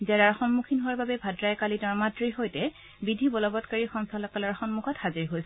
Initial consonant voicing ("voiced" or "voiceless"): voiced